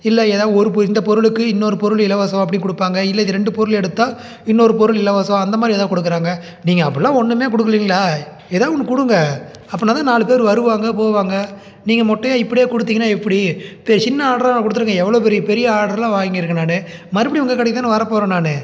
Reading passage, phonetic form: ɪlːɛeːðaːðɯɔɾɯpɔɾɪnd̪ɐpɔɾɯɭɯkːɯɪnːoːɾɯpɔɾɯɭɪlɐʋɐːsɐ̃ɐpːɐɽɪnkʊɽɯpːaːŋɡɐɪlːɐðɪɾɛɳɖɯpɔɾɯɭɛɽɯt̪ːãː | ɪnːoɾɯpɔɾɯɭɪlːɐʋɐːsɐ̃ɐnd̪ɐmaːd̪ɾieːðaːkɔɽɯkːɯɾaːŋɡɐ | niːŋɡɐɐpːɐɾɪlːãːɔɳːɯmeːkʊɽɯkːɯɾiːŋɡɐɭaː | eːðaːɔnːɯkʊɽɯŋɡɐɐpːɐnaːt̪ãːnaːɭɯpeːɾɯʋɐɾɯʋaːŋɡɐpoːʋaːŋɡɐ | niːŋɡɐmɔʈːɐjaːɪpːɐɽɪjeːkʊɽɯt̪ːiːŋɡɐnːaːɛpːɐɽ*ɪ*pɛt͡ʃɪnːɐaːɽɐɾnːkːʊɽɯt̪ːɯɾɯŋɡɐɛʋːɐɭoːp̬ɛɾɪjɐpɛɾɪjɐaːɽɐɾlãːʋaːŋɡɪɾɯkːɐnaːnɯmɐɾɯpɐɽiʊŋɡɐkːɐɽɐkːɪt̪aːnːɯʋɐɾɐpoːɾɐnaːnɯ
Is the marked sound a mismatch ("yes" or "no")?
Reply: yes